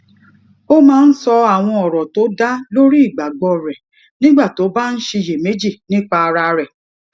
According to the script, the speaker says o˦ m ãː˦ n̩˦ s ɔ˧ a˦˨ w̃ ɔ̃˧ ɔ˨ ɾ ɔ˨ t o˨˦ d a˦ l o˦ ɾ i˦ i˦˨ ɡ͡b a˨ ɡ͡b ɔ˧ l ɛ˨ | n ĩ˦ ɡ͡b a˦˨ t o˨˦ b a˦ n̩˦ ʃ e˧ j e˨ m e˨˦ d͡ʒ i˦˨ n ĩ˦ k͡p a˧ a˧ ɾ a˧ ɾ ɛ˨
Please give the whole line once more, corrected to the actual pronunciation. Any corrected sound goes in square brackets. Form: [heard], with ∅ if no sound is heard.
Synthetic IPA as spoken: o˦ m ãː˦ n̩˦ s ɔ˧ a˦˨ w̃ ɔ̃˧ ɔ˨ ɾ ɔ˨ t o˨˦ d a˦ l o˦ ɾ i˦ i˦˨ ɡ͡b a˨ ɡ͡b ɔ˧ [ɾ] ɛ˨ | n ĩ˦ ɡ͡b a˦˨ t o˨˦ b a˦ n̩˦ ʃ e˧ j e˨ m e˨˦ d͡ʒ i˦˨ n ĩ˦ k͡p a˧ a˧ ɾ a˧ ɾ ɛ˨